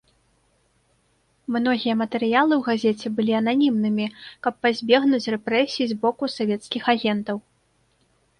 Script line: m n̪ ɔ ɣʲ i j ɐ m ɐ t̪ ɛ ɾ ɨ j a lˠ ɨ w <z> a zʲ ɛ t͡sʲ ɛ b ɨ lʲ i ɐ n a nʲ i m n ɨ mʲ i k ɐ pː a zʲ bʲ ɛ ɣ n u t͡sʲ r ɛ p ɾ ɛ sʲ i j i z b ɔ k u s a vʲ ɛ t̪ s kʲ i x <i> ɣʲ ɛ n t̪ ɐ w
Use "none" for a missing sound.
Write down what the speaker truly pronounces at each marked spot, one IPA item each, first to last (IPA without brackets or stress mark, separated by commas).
ɣ, a